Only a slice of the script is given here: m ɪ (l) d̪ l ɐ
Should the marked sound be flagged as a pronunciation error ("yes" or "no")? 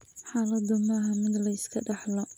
yes